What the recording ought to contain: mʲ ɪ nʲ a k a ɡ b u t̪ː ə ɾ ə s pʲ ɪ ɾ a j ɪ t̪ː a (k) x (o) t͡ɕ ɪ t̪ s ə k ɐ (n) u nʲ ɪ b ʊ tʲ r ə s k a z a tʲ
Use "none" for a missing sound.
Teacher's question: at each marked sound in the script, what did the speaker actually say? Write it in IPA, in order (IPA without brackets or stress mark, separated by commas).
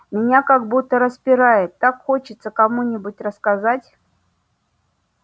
k, o, m